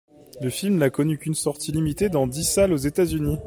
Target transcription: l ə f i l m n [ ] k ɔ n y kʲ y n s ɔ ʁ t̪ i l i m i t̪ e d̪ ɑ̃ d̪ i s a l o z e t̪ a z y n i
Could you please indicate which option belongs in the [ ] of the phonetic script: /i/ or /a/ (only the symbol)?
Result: a